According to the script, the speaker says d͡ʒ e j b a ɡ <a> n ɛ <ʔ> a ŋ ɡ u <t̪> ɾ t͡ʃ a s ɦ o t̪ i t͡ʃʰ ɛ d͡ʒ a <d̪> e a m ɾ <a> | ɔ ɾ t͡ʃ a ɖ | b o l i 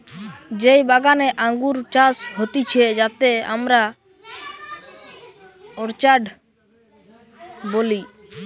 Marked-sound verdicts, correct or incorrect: correct, correct, incorrect: none, incorrect: t̪, correct

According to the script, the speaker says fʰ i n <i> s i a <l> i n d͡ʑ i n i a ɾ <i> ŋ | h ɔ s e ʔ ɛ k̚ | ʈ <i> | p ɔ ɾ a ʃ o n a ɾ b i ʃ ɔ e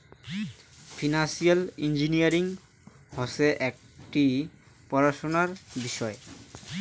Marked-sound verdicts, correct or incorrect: incorrect: a, correct, correct, correct

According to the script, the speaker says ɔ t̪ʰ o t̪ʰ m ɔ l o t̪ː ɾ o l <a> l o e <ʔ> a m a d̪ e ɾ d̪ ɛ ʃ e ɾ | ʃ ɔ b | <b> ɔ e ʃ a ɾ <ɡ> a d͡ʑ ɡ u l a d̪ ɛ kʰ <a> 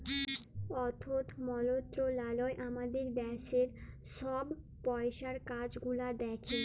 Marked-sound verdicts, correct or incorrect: correct, correct, incorrect: p, incorrect: k, incorrect: e

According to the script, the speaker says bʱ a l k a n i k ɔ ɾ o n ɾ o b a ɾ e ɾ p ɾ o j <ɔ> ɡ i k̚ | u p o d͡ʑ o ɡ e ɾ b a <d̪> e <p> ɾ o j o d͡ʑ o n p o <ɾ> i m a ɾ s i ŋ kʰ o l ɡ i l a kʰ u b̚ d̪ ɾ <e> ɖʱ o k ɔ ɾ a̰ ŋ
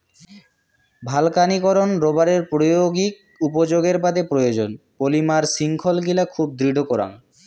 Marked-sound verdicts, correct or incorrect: incorrect: o, correct, correct, incorrect: l, incorrect: i

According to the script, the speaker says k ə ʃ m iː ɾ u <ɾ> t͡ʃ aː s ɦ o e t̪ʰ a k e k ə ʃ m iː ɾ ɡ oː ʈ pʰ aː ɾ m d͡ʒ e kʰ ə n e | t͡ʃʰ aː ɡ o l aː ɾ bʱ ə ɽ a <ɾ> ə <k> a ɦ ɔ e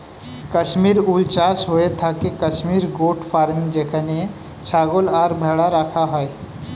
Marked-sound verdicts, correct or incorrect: incorrect: l, correct, incorrect: kʰ

